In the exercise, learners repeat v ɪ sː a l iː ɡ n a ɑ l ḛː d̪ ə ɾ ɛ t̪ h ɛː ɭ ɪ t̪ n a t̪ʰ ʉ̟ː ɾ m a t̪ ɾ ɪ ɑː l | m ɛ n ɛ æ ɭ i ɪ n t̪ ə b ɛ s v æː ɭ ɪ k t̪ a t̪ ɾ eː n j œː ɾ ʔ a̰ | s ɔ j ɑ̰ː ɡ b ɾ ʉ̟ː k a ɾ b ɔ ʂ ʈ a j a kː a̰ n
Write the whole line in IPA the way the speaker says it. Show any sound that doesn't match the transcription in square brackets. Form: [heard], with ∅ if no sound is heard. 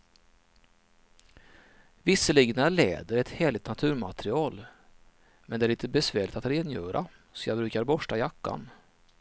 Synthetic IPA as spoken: v ɪ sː [ə] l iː ɡ n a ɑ l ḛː d̪ ə ɾ ɛ t̪ h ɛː ɭ ɪ t̪ n a t̪ʰ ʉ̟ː ɾ m a t̪ ɾ ɪ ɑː l | m ɛ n ɛ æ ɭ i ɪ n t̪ ə b ɛ s v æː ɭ ɪ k t̪ a t̪ ɾ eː n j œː ɾ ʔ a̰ | s ɔ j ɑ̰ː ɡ b ɾ ʉ̟ː k a ɾ b ɔ ʂ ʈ a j a kː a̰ n